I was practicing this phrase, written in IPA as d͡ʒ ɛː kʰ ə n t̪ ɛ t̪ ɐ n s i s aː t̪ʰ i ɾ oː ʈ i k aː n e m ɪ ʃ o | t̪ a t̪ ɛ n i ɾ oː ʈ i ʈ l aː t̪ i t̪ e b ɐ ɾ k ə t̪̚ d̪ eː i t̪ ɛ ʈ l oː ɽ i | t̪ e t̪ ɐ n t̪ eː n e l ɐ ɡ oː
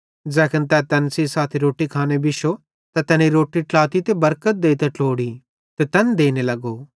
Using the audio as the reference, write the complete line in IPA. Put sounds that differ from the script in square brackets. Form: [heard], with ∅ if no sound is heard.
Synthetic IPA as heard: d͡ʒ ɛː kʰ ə n t̪ ɛ t̪ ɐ n s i s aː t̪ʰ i ɾ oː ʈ i [kʰ] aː n e [b] ɪ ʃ o | t̪ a t̪ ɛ n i ɾ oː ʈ i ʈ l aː t̪ i t̪ e b ɐ ɾ k ə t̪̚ d̪ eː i t̪ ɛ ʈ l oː ɽ i | t̪ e t̪ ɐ n [d̪] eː n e l ɐ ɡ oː

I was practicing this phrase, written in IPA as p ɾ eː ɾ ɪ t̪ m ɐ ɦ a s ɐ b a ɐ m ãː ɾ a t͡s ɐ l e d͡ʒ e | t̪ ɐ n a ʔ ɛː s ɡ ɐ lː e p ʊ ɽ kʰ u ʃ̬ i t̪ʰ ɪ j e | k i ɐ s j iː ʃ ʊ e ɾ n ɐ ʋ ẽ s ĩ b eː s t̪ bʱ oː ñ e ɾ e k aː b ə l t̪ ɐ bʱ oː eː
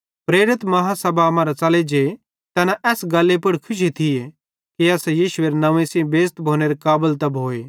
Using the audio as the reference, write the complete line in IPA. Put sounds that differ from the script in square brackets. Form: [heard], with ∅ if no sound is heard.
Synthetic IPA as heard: p ɾ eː ɾ ɪ t̪ m ɐ ɦ a s ɐ b a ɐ m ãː ɾ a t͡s ɐ l e d͡ʒ e | t̪ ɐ n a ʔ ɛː s ɡ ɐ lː e p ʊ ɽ kʰ [ʊ] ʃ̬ i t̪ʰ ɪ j e | k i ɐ s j iː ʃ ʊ e ɾ n ɐ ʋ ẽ s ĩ b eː s t̪ bʱ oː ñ e ɾ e k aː b ə l t̪ ɐ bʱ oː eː

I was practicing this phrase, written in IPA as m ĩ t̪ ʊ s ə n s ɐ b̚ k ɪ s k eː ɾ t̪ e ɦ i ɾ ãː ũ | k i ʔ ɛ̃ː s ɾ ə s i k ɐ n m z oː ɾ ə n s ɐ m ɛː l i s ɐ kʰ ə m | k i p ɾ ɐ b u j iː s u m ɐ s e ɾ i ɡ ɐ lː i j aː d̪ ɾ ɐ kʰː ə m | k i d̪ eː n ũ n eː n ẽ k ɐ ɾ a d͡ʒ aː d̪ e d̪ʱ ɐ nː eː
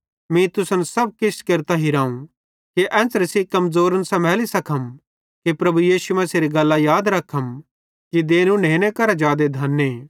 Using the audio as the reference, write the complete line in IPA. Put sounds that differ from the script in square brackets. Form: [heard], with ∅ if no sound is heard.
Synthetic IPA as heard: m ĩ t̪ ʊ s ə n s ɐ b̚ k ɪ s k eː ɾ t̪ [a] ɦ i ɾ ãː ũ | k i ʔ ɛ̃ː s ɾ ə s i k ɐ [∅] m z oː ɾ ə n s ɐ m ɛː l i s ɐ kʰ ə m | k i p ɾ ɐ b u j iː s u m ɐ s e ɾ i ɡ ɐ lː [a] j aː d̪ ɾ ɐ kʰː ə m | k i d̪ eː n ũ n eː n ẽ k ɐ ɾ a d͡ʒ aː d̪ e d̪ʱ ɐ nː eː

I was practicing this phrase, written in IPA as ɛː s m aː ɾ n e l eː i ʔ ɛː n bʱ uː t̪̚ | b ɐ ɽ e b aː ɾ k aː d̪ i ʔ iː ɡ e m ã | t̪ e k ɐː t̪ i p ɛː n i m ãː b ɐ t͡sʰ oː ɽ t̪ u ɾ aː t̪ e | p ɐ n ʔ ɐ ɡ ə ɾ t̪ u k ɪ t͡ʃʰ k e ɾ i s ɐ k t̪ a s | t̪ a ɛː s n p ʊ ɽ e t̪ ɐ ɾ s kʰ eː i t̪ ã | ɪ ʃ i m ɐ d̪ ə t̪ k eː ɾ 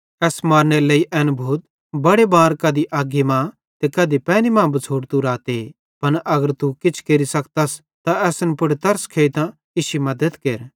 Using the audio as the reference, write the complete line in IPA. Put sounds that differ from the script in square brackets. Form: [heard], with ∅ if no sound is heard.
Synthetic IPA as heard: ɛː s m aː ɾ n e l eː i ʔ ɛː n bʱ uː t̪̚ | b ɐ ɽ e b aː ɾ k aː d̪ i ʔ [aː] ɡ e m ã | t̪ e k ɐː [d̪] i p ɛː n i m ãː b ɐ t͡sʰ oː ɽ t̪ u ɾ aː t̪ e | p ɐ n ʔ ɐ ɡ ə ɾ t̪ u k ɪ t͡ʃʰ k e ɾ i s ɐ k t̪ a s | t̪ a ɛː s n p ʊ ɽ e t̪ ɐ ɾ s kʰ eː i t̪ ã | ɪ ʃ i m ɐ d̪ ə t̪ k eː ɾ

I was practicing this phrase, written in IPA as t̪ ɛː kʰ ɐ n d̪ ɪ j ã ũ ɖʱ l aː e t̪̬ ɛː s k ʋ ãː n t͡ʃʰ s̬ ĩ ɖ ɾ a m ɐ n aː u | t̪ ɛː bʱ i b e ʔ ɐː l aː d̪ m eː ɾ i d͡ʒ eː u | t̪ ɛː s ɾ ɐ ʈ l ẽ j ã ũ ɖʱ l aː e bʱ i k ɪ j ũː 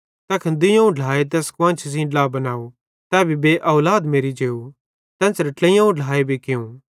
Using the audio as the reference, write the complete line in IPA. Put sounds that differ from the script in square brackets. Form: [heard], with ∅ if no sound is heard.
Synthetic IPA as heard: t̪ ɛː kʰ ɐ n d̪ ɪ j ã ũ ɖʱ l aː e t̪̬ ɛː s k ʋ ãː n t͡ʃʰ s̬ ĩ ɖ [l] a [b] ɐ n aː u | t̪ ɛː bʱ i b e ʔ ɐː l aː d̪ m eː ɾ i d͡ʒ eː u | t̪ ɛː s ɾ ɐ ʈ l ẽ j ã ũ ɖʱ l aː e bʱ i k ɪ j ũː

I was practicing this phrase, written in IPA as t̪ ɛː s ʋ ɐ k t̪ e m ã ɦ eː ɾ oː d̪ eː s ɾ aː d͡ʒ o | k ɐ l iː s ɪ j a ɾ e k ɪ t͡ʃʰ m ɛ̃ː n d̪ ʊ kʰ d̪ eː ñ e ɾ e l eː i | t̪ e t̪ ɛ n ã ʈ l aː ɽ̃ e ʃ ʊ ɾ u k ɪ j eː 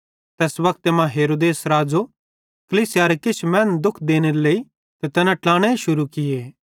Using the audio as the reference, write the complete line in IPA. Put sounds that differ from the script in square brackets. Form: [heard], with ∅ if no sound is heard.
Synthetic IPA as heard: t̪ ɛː s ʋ ɐ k t̪ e m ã ɦ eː ɾ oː d̪ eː s ɾ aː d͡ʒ o | k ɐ l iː s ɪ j a ɾ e k ɪ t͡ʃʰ m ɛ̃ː n d̪ ʊ kʰ d̪ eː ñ e ɾ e l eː i | t̪ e t̪ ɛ n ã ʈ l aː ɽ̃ e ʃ ʊ ɾ u k ɪ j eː

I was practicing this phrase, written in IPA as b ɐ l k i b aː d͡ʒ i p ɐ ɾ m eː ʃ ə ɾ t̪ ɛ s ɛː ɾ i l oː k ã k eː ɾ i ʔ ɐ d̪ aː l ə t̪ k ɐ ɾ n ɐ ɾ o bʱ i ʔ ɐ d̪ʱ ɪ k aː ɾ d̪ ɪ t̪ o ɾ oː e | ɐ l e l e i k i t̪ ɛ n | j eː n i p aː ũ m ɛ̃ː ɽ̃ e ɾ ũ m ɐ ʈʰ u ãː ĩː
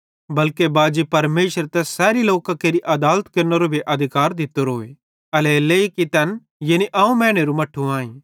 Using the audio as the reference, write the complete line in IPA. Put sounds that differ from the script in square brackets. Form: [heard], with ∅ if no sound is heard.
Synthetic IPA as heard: b ɐ l k [e] b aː d͡ʒ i p ɐ ɾ m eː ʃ ə ɾ t̪ ɛ s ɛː ɾ i l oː k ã k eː ɾ i ʔ ɐ d̪ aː l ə t̪ k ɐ ɾ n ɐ ɾ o bʱ i ʔ ɐ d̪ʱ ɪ k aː ɾ d̪ ɪ t̪ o ɾ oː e | ɐ l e l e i k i t̪ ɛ n | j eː n i [ʔ] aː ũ m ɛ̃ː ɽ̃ e ɾ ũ m ɐ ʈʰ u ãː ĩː

